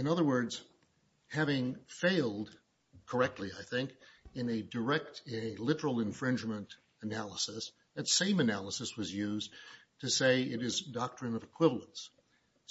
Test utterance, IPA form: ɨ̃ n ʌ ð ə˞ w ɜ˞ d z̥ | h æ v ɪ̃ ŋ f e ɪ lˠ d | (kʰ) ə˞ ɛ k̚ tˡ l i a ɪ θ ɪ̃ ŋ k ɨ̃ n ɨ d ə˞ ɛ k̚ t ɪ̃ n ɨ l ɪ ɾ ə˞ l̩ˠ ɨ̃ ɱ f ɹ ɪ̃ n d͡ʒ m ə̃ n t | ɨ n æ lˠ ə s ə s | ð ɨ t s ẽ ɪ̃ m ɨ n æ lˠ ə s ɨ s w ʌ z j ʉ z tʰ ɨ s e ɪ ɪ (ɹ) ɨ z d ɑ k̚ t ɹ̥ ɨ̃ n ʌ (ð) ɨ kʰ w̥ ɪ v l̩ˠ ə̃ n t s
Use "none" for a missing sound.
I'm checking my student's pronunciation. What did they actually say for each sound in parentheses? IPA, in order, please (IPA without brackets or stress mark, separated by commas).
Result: kʰ, ɾ, v